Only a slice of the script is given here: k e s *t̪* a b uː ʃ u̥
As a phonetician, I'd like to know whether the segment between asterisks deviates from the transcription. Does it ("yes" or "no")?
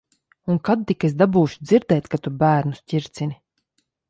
yes